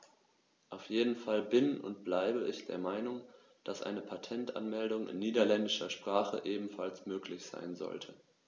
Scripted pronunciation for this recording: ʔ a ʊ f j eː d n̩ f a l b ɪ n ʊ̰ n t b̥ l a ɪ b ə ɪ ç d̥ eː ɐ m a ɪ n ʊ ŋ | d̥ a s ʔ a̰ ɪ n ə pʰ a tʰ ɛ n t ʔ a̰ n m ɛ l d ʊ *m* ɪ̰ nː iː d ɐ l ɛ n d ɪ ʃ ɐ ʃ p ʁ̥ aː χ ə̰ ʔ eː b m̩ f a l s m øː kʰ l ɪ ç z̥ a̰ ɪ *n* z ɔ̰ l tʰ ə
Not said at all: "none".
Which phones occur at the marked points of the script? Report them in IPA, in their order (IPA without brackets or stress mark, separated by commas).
ŋ, n